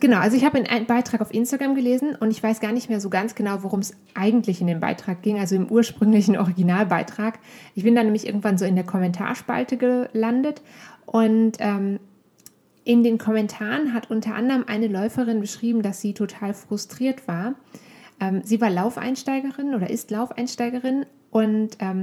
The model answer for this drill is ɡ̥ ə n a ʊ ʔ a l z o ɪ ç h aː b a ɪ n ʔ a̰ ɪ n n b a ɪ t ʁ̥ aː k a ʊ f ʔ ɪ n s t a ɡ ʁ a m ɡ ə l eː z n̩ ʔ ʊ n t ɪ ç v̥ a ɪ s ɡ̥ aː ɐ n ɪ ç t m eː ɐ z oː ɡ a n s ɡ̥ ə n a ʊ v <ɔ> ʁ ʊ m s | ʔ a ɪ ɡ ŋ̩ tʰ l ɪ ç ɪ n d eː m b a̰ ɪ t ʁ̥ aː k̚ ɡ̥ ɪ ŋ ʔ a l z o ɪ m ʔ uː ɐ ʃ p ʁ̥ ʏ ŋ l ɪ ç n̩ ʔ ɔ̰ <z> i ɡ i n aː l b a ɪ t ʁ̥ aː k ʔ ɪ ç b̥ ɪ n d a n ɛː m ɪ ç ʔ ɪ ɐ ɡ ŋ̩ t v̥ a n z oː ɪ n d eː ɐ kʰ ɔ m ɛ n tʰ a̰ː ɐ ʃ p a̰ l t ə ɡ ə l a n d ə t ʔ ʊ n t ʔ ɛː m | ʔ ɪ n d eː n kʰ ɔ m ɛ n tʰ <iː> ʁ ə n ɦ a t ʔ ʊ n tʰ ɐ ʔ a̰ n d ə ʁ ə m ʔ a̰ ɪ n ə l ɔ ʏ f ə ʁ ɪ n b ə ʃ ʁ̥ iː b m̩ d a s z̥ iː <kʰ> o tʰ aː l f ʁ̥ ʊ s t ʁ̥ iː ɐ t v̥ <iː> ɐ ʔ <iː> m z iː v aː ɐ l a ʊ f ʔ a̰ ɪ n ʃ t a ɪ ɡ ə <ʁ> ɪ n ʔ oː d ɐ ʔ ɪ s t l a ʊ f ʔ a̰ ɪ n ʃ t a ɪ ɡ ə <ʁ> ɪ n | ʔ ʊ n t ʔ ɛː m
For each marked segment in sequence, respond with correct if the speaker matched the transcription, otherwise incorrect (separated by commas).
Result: incorrect, incorrect, incorrect, incorrect, incorrect, incorrect, correct, correct